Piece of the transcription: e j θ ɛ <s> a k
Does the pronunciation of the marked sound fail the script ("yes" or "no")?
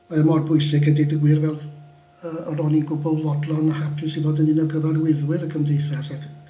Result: no